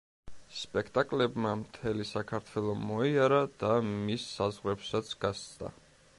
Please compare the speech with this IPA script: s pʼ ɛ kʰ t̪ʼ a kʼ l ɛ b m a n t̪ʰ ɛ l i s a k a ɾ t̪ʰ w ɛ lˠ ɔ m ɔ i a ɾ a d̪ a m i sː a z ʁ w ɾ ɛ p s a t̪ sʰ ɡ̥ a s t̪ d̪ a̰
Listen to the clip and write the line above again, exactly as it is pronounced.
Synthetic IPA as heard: s pʼ ɛ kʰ t̪ʼ a kʼ l ɛ b m a m t̪ʰ ɛ l i s a kʰ a ɾ t̪ʰ w ɛ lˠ ɔ m ɔ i a ɾ a d̪ a m i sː a z ʁ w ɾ ɛ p s a t̪ sʰ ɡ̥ a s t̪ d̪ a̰